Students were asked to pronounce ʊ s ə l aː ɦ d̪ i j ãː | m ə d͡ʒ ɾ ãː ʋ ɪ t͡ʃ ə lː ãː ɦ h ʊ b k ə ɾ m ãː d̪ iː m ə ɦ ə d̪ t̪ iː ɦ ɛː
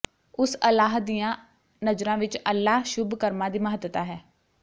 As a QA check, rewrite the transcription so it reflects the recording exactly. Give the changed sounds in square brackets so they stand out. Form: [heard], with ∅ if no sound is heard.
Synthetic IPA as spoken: ʊ s ə l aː ɦ d̪ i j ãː | [n] ə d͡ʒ ɾ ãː ʋ ɪ t͡ʃ ə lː [aː] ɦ [ʃ] ʊ b k ə ɾ m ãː d̪ iː m ə ɦ ə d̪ t̪ [aː] ɦ ɛː